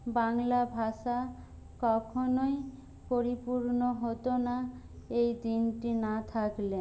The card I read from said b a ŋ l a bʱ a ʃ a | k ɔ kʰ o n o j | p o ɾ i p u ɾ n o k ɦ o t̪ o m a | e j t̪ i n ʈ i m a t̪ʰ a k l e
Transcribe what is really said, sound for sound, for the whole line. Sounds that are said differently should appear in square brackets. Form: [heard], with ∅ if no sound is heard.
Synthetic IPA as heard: b a ŋ l a bʱ a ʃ a | k ɔ kʰ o n o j | p o ɾ i p u ɾ n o [∅] ɦ o t̪ o [n] a | e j [d̪] i n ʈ i [n] a t̪ʰ a k l e

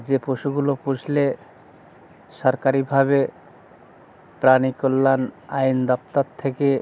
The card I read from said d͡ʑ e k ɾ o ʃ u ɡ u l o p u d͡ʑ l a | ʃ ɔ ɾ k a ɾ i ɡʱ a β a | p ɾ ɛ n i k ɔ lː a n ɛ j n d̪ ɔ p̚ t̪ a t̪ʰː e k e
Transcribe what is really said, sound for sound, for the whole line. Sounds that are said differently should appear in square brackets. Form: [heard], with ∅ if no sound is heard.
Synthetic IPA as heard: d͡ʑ e [p] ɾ o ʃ u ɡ u l o p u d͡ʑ l [e] | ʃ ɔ ɾ k a ɾ i [bʱ] a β [e] | p ɾ [a] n i k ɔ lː a n [a] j n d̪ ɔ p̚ t̪ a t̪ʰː e k e

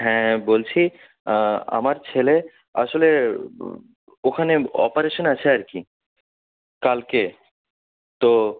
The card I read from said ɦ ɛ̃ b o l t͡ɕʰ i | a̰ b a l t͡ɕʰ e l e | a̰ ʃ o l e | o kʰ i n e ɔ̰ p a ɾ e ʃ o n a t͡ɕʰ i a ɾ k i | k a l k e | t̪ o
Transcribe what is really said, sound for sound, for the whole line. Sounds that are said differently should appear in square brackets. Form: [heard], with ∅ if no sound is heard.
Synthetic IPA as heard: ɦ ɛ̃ b o l t͡ɕʰ i | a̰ [m] a [ɾ] t͡ɕʰ e l e | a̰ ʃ o l e | o kʰ [a] n e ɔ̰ p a ɾ e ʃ o n a t͡ɕʰ [e] a ɾ k i | k a l k e | t̪ o

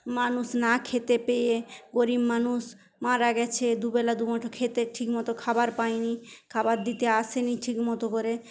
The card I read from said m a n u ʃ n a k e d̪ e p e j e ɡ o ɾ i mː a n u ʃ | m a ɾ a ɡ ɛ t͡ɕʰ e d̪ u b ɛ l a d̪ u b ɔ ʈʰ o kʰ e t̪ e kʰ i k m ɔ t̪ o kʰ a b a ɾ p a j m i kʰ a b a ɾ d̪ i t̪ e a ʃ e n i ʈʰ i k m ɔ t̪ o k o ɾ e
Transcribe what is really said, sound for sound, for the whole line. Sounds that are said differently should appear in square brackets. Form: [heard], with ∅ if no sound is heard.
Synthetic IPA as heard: m a n u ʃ n a [kʰ] e [t̪] e p e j e ɡ o ɾ i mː a n u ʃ | m a ɾ a ɡ ɛ t͡ɕʰ e d̪ u b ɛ l a d̪ u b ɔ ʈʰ o kʰ e t̪ e [ʈʰ] i k m ɔ t̪ o kʰ a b a ɾ p a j [n] i kʰ a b a ɾ d̪ i t̪ e a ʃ e n i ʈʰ i k m ɔ t̪ o k o ɾ e

